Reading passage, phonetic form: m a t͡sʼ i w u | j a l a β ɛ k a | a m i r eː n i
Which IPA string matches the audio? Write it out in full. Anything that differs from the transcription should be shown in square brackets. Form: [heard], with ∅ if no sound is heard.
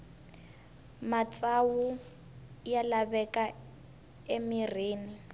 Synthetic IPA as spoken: m a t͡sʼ [a] w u | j a l a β ɛ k a | [e] m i r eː n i

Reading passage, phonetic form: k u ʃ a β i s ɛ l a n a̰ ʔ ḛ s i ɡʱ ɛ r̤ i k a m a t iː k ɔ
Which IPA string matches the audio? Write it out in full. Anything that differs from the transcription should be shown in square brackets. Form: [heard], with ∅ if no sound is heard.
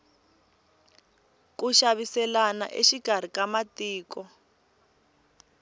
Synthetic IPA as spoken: k u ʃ a β i s ɛ l a n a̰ ʔ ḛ [ʃ] i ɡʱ [a] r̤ i k a m a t iː k ɔ

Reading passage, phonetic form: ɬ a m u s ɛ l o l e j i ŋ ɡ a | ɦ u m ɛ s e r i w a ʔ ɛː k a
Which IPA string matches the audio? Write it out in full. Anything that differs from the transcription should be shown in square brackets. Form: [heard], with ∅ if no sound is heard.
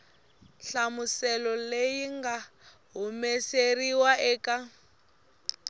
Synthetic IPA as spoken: ɬ a m u s ɛ l [ɔ] l e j i ŋ ɡ a | ɦ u m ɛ s e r i w a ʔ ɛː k a

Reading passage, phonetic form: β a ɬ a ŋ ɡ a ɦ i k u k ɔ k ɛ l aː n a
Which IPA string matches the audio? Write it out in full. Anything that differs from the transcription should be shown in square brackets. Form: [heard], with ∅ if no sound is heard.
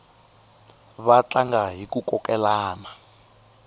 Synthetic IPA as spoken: β a [t͡ɬ] a ŋ ɡ a ɦ i k u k ɔ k ɛ l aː n a

